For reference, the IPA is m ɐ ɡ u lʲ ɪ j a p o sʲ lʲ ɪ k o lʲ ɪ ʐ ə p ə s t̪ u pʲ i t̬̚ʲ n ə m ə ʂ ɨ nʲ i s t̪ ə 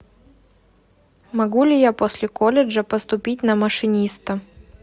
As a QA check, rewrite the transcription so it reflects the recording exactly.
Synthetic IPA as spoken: m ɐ ɡ u lʲ ɪ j a p o sʲ lʲ ɪ k o lʲ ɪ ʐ ə p ə s t̪ ʊ pʲ i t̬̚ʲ n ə m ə ʂ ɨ nʲ i s t̪ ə